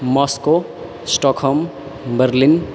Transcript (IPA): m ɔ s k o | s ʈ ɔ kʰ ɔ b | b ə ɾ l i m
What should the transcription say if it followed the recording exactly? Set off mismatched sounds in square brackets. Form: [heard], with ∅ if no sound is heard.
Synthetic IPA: m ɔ s k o | s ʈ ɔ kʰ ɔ [m] | b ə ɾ l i [n]

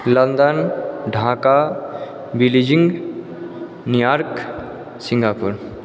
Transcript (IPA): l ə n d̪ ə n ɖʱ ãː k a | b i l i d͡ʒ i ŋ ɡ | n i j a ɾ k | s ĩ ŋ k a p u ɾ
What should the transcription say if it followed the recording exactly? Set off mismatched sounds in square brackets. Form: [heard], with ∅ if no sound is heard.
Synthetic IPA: l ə n d̪ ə n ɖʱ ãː k a | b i l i d͡ʒ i ŋ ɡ | n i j a ɾ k | s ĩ ŋ [ɡ] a p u ɾ

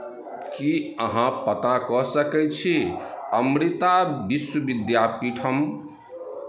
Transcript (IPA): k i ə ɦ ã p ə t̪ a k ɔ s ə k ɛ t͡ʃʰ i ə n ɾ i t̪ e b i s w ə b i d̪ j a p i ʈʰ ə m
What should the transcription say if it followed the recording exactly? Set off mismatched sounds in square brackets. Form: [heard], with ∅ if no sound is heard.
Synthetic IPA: k i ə ɦ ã p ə t̪ a k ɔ s ə k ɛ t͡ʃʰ i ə [m] ɾ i t̪ [a] b i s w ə b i d̪ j a p i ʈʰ ə m

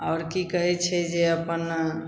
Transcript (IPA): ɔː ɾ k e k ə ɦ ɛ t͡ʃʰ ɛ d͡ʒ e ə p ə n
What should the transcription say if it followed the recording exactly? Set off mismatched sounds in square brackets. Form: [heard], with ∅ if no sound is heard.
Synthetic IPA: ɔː ɾ k [i] k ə ɦ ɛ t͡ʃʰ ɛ d͡ʒ e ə p ə n

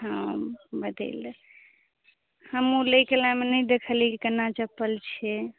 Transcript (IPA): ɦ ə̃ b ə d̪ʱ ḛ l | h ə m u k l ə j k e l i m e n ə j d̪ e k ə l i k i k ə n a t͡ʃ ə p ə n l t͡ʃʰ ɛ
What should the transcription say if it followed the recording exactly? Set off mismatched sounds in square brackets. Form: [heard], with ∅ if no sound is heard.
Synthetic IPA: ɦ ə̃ b ə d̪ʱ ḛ l | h ə m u [∅] l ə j k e l [a] m e n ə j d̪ e [kʰ] ə l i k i k ə n a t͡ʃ ə p ə [∅] l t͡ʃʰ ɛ

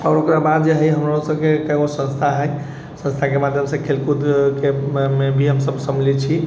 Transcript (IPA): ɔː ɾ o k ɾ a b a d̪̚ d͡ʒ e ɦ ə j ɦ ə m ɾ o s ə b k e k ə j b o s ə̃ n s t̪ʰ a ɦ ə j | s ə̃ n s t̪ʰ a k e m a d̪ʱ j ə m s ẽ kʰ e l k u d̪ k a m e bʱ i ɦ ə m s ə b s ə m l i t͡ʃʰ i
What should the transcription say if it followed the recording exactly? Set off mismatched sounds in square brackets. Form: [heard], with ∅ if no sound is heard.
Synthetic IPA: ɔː ɾ o k ɾ a b a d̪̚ d͡ʒ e ɦ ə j ɦ ə m ɾ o s ə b k e k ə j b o s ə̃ n s t̪ʰ a ɦ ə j | s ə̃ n s t̪ʰ a k e m a d̪ʱ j ə m s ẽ kʰ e l k u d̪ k [e] m e bʱ i ɦ ə m s ə b s ə m l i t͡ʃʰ i

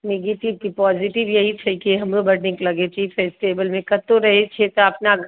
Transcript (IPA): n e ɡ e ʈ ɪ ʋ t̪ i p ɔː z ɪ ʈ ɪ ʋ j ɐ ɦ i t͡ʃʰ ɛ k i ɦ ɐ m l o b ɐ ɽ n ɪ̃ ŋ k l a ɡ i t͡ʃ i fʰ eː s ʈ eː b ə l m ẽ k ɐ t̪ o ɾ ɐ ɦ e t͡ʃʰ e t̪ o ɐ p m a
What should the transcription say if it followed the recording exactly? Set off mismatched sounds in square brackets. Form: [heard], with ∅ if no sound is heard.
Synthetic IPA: n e ɡ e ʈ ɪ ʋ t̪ i p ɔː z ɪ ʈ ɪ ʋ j ɐ ɦ i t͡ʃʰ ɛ k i ɦ ɐ m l o b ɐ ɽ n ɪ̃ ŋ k l [ɐ] ɡ [e] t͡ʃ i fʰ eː s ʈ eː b ə l m ẽ k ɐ t̪ o ɾ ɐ ɦ e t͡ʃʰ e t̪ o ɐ p [n] a

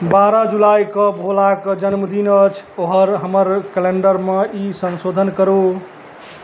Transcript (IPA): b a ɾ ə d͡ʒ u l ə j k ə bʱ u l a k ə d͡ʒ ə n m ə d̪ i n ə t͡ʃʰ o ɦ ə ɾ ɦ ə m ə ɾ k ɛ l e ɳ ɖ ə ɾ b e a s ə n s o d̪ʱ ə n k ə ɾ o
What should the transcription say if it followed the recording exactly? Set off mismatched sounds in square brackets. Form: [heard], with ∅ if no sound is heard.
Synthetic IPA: b a ɾ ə d͡ʒ u l [a] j k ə bʱ [o] l a k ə d͡ʒ ə n m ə d̪ i n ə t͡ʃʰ o ɦ ə ɾ ɦ ə m ə ɾ k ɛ l e ɳ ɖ ə ɾ [m] e [i] s ə n s o d̪ʱ ə n k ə ɾ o

